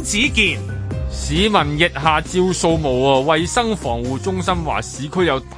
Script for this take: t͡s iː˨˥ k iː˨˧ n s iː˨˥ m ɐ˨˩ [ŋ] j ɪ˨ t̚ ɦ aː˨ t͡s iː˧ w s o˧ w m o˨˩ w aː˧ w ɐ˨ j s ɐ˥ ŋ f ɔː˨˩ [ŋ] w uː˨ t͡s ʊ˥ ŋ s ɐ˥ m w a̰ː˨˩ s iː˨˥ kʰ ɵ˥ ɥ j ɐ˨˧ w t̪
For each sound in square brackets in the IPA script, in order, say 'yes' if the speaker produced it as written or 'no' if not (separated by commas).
no, yes